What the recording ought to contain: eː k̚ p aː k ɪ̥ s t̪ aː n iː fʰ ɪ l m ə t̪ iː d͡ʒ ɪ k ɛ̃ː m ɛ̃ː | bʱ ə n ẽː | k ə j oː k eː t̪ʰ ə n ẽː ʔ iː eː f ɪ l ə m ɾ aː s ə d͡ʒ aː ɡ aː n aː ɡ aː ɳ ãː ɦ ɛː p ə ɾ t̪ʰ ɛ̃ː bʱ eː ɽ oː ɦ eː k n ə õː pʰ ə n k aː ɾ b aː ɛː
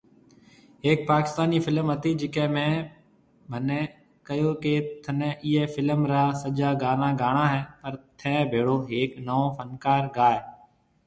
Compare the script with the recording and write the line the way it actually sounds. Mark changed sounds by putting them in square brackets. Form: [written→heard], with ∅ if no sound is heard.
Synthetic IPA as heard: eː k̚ p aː k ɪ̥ s t̪ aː n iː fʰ ɪ l m ə t̪ iː d͡ʒ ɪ k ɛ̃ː m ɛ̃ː | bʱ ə n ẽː | k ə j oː k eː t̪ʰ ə n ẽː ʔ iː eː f ɪ l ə m ɾ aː s ə d͡ʒ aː ɡ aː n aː ɡ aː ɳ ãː ɦ ɛː p ə ɾ t̪ʰ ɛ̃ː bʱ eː ɽ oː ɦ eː k n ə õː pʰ ə n k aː ɾ [b→ɡ] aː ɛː